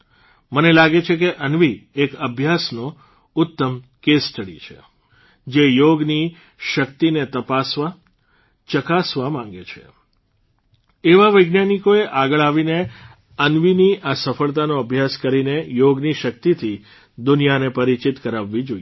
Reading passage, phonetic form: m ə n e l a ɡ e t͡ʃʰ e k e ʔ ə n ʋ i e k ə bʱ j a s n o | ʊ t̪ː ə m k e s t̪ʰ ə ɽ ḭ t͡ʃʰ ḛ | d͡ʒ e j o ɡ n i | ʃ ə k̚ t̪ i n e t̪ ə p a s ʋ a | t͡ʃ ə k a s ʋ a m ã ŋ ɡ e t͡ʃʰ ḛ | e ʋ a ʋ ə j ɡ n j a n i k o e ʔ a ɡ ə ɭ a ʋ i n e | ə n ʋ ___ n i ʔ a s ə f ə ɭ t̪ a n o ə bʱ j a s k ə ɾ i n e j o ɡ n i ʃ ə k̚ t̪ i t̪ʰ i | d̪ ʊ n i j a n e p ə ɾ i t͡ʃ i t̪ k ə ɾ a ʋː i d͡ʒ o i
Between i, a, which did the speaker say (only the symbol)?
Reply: i